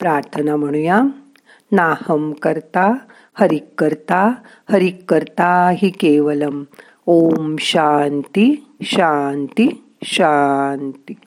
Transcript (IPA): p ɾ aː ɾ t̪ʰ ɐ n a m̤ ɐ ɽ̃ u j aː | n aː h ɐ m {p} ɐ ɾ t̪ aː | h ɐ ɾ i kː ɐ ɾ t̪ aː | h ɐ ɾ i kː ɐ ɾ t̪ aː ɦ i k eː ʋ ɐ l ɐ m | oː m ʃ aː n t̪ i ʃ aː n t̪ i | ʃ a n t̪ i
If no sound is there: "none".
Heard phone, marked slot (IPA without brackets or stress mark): k